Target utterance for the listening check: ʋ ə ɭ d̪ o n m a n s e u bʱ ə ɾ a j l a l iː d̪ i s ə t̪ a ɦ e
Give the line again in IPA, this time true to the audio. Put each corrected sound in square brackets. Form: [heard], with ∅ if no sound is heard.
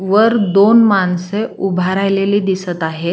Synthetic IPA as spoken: ʋ ə [ɾ] d̪ o n m a n s e u bʱ [a] ɾ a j l [e] l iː d̪ i s ə t̪ a ɦ e

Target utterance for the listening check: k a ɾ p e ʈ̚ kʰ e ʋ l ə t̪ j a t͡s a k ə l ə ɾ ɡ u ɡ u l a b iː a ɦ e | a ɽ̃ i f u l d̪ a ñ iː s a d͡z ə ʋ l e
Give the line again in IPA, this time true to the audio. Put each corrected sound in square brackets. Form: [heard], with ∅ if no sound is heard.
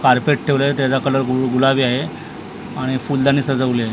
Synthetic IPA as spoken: k a ɾ p e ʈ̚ [ʈʰ] e ʋ l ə t̪ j a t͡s a k ə l ə ɾ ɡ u ɡ u l a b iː a ɦ e | a ɽ̃ i f u l d̪ a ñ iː s [ə] d͡z ə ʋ l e

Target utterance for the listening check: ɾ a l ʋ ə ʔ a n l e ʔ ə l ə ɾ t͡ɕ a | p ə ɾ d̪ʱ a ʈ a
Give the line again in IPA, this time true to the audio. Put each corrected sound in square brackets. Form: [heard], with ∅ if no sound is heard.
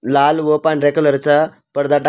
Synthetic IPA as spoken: [l] a l ʋ ə [p] a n [ɾ] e [k] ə l ə ɾ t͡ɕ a | p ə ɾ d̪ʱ a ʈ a

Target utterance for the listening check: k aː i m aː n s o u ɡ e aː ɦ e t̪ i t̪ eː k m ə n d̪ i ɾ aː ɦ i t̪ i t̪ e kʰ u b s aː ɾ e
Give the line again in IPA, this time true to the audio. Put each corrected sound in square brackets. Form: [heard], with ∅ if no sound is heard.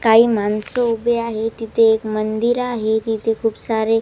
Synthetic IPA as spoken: k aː i m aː n s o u [b] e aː ɦ e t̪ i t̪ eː k m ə n d̪ i ɾ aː ɦ [e] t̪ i t̪ e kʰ u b s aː ɾ e

